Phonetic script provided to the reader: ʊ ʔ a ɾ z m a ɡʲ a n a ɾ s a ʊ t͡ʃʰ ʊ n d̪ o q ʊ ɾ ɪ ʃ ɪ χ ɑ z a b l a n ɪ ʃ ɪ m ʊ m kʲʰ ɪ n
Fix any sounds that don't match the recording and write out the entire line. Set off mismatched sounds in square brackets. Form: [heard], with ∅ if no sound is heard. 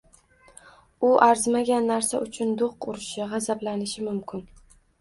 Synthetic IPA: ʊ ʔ a ɾ z m a ɡʲ a [nː] a ɾ s a ʊ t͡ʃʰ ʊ n d̪ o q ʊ ɾ ɪ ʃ ɪ [ʁ] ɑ z a b l a n ɪ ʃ ɪ m ʊ m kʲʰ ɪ n

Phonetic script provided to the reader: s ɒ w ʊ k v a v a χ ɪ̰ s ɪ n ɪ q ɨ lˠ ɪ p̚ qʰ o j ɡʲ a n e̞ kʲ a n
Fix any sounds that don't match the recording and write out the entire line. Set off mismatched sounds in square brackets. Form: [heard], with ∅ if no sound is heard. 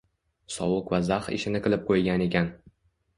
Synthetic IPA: s ɒ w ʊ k v a [z] a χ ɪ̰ [ʃ] ɪ n ɪ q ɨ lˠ ɪ p̚ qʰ o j ɡʲ a n e̞ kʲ a n

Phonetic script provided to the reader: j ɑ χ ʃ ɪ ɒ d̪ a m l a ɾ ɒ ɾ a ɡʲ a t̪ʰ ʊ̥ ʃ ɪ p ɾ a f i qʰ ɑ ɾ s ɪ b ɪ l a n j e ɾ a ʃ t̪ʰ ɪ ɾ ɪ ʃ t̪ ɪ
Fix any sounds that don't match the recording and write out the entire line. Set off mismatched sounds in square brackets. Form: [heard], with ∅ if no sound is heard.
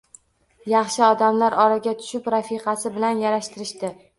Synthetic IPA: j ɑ χ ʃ ɪ ɒ d̪ a m l a ɾ ɒ ɾ a ɡʲ a t̪ʰ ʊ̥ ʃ ɪ p ɾ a f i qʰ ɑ [∅] s ɪ b ɪ l a n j [a] ɾ a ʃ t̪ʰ ɪ ɾ ɪ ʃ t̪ ɪ

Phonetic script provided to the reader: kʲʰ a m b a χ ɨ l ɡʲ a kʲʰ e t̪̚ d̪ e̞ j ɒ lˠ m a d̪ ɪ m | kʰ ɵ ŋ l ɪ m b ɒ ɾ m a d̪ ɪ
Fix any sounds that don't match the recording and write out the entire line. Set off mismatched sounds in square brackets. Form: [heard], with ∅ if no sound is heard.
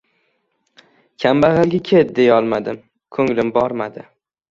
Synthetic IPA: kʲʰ a m b a [ʁ] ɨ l ɡʲ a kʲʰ e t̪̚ d̪ e̞ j ɒ lˠ m a d̪ ɪ m | kʰ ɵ ŋ l ɪ m b ɒ ɾ m a d̪ ɪ

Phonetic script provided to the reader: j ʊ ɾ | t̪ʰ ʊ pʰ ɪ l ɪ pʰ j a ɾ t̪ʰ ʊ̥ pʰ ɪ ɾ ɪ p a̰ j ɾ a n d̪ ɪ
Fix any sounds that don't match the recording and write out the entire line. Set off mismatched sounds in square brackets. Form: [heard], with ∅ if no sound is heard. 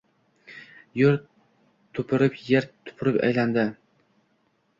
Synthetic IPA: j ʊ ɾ | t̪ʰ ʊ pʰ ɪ [ɾ] ɪ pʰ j [e] ɾ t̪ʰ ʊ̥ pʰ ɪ ɾ ɪ p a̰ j [l] a n d̪ ɪ

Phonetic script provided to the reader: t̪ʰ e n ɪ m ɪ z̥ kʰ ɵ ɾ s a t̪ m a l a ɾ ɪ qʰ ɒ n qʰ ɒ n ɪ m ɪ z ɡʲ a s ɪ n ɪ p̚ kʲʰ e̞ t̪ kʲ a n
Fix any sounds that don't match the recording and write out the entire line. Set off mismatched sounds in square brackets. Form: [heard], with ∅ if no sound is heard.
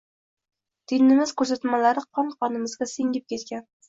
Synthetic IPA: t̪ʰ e n ɪ m ɪ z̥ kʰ ɵ ɾ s a t̪ m a l a ɾ ɪ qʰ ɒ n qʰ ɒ n ɪ m ɪ z ɡʲ a s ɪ [ŋ] ɪ p̚ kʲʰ e̞ t̪ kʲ a n

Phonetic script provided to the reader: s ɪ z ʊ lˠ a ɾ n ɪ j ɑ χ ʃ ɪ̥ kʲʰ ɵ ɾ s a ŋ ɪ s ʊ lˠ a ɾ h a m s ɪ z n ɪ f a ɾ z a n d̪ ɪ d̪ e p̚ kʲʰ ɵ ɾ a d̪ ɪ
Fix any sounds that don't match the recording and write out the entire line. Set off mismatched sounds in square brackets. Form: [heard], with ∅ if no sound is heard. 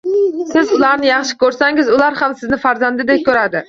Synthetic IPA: s ɪ z ʊ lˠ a ɾ n ɪ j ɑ χ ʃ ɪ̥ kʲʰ ɵ ɾ s a ŋ ɪ [z] ʊ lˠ a ɾ h a m s ɪ z n ɪ f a ɾ z a n d̪ ɪ d̪ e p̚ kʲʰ ɵ ɾ a d̪ ɪ

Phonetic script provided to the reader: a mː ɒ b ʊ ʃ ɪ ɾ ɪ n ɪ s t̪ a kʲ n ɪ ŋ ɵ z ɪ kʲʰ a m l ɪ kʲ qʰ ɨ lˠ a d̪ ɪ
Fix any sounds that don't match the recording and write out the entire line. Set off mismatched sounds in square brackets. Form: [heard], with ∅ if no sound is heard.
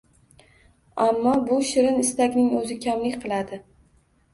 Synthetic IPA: a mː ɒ b ʊ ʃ ɪ ɾ ɪ n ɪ s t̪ a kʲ n ɪ ŋ ɵ z ɪ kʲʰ a m l ɪ kʲ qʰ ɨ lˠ a d̪ ɪ

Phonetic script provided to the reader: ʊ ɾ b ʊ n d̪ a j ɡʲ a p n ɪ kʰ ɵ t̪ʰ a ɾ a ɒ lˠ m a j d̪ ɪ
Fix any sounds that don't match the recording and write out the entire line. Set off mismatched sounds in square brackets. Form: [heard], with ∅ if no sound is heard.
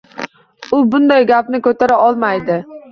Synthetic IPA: ʊ [∅] b ʊ n d̪ a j ɡʲ a p n ɪ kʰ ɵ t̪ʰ a ɾ a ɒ lˠ m a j d̪ ɪ

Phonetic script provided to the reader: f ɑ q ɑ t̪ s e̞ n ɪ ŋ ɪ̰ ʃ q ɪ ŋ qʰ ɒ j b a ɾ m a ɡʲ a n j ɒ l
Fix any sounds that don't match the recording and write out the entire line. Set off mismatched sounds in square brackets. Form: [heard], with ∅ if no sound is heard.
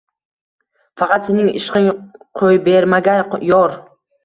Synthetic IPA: f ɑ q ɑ t̪ s e̞ n ɪ ŋ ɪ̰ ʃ q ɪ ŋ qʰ [o] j b [e] ɾ m a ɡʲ a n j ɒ [ɾ]

